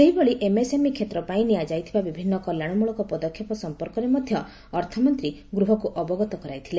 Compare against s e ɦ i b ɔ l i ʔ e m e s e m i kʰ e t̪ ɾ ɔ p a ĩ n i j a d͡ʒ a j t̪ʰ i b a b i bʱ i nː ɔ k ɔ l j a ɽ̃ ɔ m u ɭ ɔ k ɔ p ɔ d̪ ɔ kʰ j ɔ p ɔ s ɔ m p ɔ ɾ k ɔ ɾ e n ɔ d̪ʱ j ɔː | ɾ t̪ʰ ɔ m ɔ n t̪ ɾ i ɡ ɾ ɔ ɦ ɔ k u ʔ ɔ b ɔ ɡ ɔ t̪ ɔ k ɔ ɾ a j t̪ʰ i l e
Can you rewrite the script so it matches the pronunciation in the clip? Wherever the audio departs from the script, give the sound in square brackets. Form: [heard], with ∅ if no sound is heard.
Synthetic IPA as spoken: s e ɦ i b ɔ [ɭ] i ʔ e m e s e m i kʰ e t̪ ɾ ɔ p a ĩ n i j a d͡ʒ a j t̪ʰ i b a b i bʱ i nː ɔ k ɔ l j a ɽ̃ ɔ m u ɭ ɔ k ɔ p ɔ d̪ ɔ kʰ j ɔ p ɔ s ɔ m p ɔ ɾ k ɔ ɾ e [m] ɔ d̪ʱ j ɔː | ɾ t̪ʰ ɔ m ɔ n t̪ ɾ i ɡ ɾ [u] ɦ ɔ k u ʔ ɔ b ɔ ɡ ɔ t̪ ɔ k ɔ ɾ a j t̪ʰ i l e